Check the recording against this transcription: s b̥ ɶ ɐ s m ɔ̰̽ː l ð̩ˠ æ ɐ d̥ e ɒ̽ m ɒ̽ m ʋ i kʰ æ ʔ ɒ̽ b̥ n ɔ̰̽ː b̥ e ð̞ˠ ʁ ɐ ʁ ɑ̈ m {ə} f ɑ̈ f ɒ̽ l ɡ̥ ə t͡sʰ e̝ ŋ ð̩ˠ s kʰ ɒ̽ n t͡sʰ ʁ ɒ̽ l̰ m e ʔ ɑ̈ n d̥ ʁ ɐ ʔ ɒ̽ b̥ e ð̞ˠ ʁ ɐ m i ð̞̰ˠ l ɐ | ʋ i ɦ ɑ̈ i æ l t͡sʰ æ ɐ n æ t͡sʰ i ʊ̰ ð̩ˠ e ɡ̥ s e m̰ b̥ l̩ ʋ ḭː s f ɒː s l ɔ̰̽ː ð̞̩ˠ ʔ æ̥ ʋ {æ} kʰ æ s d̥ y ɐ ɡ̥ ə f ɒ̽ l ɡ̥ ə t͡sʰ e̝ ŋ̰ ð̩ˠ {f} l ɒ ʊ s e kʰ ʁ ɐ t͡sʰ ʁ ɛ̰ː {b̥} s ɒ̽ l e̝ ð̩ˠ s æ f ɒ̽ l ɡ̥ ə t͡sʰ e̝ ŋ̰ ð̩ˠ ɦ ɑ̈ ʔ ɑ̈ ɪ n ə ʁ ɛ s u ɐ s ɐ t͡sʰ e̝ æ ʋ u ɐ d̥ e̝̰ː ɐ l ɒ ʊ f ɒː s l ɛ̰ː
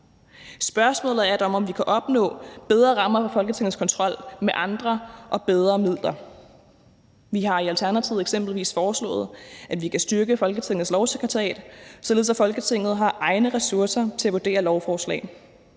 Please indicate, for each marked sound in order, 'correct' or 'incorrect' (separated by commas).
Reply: incorrect, incorrect, incorrect, incorrect